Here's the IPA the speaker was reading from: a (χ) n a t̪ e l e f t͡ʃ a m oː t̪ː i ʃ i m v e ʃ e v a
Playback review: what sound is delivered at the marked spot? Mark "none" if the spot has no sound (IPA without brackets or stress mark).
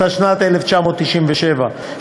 ʃ